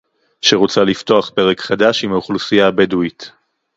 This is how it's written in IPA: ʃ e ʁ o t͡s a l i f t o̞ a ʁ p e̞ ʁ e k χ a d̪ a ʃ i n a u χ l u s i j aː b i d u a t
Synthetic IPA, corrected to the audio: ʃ e ʁ o t͡s a l i f t o̞ a χ p e̞ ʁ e k χ a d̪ a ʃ i m a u χ l u s i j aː b e d u i t